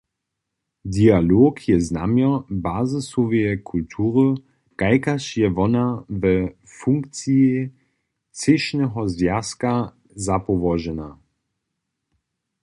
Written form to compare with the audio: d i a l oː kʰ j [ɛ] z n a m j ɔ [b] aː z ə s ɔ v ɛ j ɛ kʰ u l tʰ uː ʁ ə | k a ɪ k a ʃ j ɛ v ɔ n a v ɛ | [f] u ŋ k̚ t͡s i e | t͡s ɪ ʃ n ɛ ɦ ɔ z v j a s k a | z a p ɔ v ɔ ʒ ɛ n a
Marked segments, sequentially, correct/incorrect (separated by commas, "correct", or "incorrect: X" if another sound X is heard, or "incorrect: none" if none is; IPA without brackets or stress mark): correct, correct, correct